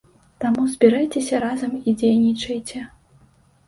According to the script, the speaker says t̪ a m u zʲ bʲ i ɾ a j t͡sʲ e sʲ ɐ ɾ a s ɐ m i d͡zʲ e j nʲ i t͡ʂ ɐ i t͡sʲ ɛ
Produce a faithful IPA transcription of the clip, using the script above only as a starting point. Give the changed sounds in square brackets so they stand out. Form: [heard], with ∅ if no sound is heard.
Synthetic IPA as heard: t̪ a m u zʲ bʲ i ɾ a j t͡sʲ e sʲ ɐ ɾ a [z] ɐ m i d͡zʲ e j nʲ i t͡ʂ ɐ [j] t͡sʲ ɛ